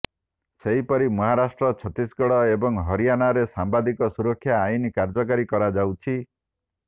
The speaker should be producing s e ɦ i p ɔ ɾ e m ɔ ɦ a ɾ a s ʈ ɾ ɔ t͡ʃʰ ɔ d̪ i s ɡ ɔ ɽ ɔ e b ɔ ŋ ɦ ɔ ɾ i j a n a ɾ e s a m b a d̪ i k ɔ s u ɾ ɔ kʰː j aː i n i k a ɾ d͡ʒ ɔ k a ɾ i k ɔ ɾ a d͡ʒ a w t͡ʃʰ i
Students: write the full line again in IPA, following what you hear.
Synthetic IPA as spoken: s e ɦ i p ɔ ɾ i m ɔ ɦ a ɾ a s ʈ ɾ ɔ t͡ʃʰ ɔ t̪ i s ɡ ɔ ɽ ɔ e b ɔ ŋ ɦ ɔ ɾ i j a n a ɾ e s a m b a d̪ i k ɔ s u ɾ ɔ kʰː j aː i n i k a ɾ d͡ʒ ɔ k a ɾ i k ɔ ɾ a d͡ʒ a w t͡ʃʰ i